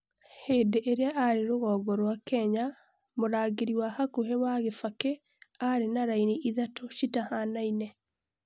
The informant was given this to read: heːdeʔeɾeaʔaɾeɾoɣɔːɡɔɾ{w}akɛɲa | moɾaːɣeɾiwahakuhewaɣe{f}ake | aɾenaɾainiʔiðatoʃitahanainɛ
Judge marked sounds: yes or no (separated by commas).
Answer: yes, yes